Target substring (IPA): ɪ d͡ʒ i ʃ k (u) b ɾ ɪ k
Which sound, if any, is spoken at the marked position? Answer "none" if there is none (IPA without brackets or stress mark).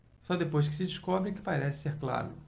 ɔ